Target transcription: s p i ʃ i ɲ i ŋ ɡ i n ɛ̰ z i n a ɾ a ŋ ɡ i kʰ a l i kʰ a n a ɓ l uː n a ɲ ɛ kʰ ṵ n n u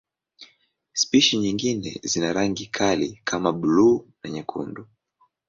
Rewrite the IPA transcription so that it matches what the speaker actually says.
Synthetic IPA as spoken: s p i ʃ i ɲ i ŋ ɡ i n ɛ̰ z i n a ɾ a ŋ ɡ i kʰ a l i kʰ a m a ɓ l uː n a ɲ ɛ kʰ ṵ n d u

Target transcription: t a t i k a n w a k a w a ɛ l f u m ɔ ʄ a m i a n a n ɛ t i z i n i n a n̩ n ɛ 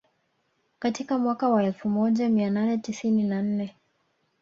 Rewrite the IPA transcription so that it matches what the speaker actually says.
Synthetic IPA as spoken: k a t i k a m w a k a w a ɛ l f u m ɔ ʄ a m i a n a n ɛ t i s i n i n a n̩ n ɛ

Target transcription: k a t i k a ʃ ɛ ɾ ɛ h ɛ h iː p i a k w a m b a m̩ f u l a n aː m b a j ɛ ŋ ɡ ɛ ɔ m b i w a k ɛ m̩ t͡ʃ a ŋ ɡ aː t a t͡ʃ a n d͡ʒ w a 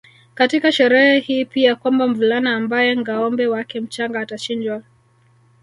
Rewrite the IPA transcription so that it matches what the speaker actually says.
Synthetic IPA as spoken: k a t i k a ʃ ɛ ɾ ɛ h ɛ h iː p i a k w a m b a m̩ v u l a n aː m b a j ɛ ŋ ɡ a ɔ m b ɛ w a k ɛ m̩ t͡ʃ a ŋ ɡ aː t a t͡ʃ i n d͡ʒ w a

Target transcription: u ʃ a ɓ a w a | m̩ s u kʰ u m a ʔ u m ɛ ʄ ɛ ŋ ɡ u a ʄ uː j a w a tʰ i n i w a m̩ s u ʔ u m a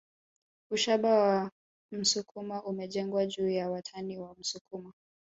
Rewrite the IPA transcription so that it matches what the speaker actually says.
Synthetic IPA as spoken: u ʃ a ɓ a w a | m̩ s u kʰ u m a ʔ u m ɛ ʄ ɛ ŋ ɡ w a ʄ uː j a w a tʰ a n i w a m̩ s u k u m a

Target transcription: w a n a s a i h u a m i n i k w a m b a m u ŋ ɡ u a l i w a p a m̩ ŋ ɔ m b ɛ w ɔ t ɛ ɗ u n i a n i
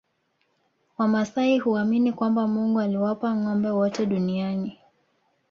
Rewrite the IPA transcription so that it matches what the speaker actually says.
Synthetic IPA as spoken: w a m a s a i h u a m i n i k w a m b a m u ŋ ɡ u a l i w a p a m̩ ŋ ɔ m b ɛ w ɔ t ɛ ɗ u n i a n i

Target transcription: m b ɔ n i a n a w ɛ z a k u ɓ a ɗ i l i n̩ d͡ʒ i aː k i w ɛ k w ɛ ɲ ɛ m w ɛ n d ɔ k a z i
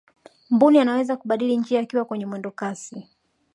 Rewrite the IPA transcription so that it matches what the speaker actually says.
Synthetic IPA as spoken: m b u n i a n a w ɛ z a k u ɓ a ɗ i l i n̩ d͡ʒ i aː k i w a k w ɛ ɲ ɛ m w ɛ n d ɔ k a s i

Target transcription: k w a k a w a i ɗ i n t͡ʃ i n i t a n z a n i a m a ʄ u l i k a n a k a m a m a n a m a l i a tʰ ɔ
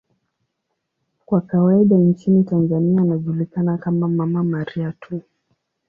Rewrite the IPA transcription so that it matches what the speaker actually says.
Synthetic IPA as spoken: k w a k a w a i ɗ a n t͡ʃ i n i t a n z a n i a n a ʄ u l i k a n a k a m a m a m a m a ɾ i a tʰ u

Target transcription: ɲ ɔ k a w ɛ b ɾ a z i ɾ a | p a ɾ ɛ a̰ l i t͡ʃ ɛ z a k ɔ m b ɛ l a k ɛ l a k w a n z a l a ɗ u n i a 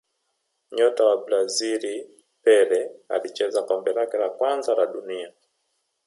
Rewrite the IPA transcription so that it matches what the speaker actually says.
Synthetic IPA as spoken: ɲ ɔ t a w a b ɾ a z i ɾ i | p ɛ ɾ ɛ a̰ l i t͡ʃ ɛ z a k ɔ m b ɛ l a k ɛ l a k w a n z a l a ɗ u n i a

